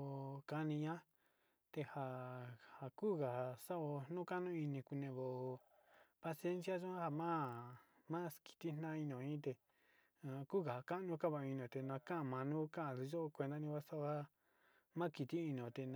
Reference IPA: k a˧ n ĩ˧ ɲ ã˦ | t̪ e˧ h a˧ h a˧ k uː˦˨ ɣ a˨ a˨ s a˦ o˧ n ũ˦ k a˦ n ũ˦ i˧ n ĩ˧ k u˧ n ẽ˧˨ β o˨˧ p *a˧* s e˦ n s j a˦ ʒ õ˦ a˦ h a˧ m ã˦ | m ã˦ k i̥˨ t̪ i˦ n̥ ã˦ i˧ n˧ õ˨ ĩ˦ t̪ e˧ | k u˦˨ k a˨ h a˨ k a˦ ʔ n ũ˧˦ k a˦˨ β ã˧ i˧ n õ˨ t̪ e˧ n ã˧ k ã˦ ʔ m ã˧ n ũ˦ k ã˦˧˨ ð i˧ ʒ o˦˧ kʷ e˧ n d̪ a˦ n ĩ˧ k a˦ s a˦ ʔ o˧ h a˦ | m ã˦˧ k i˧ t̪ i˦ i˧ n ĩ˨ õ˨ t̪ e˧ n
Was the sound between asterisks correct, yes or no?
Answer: yes